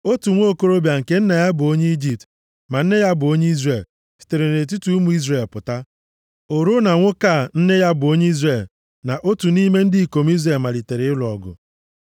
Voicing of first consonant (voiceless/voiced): voiceless